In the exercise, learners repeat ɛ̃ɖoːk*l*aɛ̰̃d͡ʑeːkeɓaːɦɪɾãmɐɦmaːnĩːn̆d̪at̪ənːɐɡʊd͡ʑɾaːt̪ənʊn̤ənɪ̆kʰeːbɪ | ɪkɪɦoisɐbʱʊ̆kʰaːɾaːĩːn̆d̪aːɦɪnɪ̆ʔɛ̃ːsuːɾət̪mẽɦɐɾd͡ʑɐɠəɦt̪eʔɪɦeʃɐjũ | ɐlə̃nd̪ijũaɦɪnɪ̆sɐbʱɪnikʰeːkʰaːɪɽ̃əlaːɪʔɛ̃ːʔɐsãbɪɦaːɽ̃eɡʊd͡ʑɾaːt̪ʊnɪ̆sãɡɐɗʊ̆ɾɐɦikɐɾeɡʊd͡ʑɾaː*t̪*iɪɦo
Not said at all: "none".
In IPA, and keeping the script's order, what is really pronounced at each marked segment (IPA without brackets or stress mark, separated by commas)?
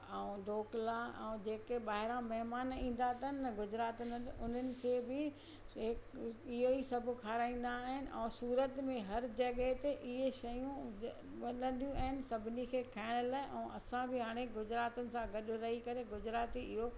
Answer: l, t̪